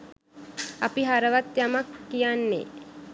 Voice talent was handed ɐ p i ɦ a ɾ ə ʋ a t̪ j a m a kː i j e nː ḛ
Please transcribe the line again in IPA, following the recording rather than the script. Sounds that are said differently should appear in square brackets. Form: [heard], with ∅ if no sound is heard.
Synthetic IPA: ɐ p i ɦ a ɾ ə ʋ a t̪ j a m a kː i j [a] nː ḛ